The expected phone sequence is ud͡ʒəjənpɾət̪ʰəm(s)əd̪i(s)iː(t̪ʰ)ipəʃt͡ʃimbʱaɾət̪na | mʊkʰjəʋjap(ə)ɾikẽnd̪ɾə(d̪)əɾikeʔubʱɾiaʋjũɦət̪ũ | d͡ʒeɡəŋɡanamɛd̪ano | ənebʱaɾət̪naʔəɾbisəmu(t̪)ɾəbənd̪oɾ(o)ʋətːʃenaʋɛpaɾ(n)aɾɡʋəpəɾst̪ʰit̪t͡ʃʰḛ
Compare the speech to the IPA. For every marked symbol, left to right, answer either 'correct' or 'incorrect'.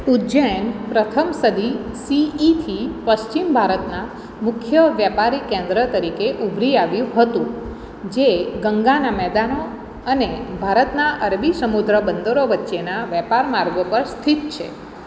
correct, correct, correct, incorrect: a, incorrect: t̪, incorrect: d̪, correct, incorrect: m

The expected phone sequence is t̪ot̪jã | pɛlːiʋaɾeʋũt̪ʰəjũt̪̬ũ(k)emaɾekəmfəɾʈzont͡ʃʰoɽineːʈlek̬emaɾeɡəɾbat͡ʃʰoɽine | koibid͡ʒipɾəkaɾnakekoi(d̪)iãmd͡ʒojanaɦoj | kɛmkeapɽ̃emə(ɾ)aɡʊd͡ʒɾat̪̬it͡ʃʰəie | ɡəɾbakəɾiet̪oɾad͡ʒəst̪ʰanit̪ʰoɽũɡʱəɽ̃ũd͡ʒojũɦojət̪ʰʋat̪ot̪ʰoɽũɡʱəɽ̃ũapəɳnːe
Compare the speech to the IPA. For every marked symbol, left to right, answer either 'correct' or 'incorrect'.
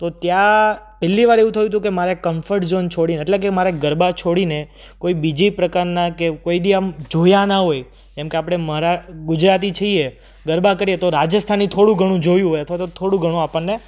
correct, correct, correct

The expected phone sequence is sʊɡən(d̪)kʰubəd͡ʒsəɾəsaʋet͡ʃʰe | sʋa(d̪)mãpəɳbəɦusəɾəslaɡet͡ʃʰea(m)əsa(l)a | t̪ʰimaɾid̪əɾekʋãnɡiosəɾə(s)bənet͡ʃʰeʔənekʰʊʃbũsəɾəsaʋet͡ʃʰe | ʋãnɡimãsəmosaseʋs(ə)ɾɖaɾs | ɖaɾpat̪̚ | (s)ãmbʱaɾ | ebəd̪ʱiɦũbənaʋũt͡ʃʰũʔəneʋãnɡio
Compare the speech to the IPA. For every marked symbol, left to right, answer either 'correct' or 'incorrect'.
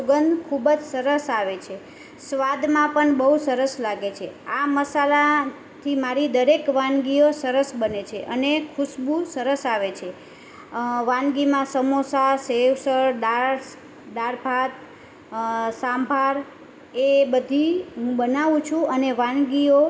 correct, correct, correct, correct, correct, correct, correct

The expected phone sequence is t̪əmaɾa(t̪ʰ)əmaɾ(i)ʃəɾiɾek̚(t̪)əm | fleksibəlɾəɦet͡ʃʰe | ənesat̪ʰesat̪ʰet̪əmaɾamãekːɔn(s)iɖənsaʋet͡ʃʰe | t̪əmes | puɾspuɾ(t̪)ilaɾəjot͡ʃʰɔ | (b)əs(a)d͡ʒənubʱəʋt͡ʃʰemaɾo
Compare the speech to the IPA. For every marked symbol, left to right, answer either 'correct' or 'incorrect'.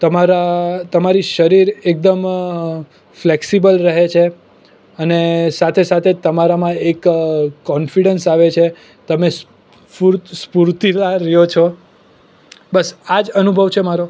incorrect: t̪, correct, incorrect: d̪, incorrect: f, correct, correct, correct

